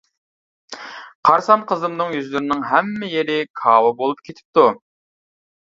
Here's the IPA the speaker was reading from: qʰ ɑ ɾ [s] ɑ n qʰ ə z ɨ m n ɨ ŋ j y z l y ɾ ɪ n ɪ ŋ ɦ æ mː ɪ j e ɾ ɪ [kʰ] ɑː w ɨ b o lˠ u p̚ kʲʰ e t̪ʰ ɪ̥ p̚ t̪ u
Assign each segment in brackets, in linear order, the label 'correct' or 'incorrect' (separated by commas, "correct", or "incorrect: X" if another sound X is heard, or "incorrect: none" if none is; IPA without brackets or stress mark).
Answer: correct, correct